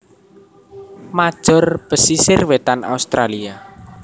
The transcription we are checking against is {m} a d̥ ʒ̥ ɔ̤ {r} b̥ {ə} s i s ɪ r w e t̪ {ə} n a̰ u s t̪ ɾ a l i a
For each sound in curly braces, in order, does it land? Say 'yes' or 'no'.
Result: yes, yes, yes, no

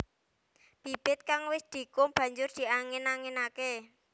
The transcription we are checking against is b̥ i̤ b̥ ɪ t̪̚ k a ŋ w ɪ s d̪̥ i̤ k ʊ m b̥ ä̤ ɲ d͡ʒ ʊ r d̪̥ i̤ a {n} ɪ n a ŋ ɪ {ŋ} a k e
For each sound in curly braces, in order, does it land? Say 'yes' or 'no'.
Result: no, no

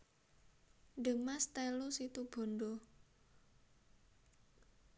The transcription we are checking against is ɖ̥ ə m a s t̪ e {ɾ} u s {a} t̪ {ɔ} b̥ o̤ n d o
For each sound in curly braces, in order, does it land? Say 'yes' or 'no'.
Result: no, no, no

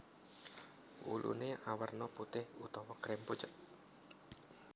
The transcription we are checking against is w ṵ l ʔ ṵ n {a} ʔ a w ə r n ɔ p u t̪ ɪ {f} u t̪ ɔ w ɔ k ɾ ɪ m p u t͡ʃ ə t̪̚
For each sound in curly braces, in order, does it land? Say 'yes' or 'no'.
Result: no, no

